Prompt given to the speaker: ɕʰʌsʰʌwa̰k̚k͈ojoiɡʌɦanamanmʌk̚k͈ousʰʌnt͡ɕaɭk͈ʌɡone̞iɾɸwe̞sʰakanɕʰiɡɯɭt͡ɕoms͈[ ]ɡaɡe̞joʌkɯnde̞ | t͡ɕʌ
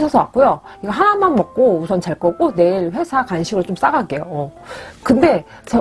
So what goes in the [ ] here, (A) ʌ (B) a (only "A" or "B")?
B